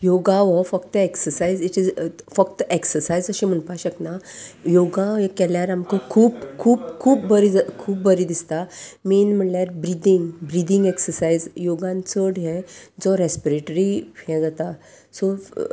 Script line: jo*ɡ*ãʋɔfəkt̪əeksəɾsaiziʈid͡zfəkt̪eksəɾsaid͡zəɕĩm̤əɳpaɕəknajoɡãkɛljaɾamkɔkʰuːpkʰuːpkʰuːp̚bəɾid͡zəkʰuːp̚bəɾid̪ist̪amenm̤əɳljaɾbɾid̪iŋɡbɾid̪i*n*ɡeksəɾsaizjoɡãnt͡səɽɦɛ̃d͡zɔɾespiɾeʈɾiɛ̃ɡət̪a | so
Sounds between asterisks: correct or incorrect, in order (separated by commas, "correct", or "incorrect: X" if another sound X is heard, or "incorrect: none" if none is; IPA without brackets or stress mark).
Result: correct, incorrect: ŋ